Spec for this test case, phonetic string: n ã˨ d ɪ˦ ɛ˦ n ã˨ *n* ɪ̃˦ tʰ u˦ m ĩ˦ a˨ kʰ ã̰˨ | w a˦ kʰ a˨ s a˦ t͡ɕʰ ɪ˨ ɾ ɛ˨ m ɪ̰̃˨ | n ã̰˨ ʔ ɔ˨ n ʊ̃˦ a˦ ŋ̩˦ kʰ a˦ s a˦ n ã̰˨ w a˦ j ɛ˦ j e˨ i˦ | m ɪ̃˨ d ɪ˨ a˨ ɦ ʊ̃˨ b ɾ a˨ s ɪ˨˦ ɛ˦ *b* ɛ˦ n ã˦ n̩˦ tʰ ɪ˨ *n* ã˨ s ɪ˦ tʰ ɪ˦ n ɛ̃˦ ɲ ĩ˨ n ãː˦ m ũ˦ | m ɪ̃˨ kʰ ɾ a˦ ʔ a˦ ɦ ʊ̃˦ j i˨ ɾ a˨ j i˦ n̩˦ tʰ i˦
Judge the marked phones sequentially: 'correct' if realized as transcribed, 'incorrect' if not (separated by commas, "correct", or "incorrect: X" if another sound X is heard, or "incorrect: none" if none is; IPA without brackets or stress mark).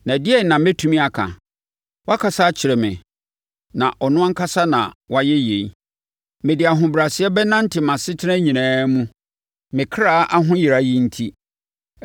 incorrect: m, correct, incorrect: m